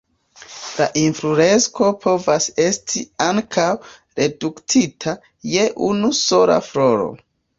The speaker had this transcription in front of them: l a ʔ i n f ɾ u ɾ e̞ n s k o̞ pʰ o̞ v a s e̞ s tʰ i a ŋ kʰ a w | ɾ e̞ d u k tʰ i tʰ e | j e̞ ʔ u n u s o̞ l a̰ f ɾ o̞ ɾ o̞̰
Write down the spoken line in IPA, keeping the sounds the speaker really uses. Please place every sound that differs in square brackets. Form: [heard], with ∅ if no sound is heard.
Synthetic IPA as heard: l a ʔ i n f ɾ u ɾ e̞ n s k o̞ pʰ o̞ v a s e̞ s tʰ i a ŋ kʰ a w | ɾ e̞ d u k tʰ i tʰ [a] | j e̞ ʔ u n u s o̞ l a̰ f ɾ o̞ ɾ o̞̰